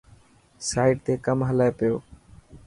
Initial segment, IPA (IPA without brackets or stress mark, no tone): s